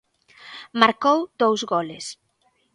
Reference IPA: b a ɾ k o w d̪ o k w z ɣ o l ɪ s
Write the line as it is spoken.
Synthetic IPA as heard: m a ɾ k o w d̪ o w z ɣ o l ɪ s